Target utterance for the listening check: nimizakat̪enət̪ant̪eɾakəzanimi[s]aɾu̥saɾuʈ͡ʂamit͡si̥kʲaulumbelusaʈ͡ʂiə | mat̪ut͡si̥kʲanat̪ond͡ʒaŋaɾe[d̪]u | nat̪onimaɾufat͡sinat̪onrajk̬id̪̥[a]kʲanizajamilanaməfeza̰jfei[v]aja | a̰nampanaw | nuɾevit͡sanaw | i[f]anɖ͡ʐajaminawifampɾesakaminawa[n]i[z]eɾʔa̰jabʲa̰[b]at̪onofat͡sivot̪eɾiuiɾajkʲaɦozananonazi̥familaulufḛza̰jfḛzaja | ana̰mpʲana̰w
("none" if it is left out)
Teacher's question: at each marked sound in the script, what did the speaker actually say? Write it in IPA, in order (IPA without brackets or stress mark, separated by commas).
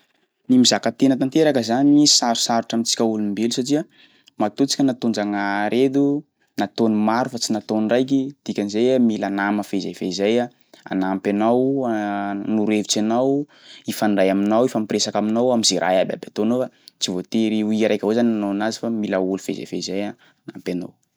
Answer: s, d̪, i, z, f, m, z, b